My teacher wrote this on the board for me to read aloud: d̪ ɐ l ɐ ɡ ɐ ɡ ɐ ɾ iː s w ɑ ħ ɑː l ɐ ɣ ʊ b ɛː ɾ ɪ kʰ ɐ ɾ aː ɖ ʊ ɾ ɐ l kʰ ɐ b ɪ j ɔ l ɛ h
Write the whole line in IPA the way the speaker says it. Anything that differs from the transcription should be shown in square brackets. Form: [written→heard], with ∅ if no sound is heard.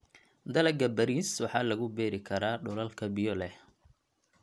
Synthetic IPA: d̪ ɐ l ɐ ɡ ɐ [ɡ→b] ɐ ɾ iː s w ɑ ħ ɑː l ɐ ɣ ʊ b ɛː ɾ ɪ kʰ ɐ ɾ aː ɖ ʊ [ɾ→l] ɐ l kʰ ɐ b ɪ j ɔ l ɛ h